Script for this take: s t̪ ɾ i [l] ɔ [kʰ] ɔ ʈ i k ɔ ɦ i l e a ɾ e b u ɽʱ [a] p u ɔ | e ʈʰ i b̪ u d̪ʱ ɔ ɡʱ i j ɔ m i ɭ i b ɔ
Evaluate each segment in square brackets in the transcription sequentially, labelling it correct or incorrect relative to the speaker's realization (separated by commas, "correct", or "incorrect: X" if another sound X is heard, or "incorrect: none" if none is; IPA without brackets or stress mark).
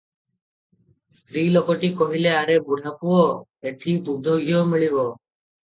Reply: correct, incorrect: k, correct